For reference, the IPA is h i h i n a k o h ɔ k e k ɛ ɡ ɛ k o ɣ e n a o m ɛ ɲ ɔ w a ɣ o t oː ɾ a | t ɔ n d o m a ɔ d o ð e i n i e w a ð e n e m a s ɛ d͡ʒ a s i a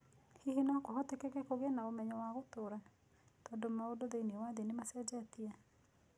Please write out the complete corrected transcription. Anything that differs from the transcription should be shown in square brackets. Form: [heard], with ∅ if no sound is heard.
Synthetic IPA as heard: h i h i n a k o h ɔ [t] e k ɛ [k] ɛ k o ɣ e n a o m ɛ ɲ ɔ w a ɣ o t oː ɾ a | t ɔ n d o m a [o] d o ð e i n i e w a ð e n e m a s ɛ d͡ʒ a [t] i a